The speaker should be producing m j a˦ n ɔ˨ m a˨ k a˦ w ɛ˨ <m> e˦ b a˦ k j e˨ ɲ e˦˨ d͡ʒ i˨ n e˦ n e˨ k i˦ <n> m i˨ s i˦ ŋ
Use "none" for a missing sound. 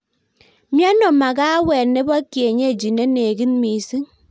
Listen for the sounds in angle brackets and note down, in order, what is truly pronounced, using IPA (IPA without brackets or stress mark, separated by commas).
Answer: n, n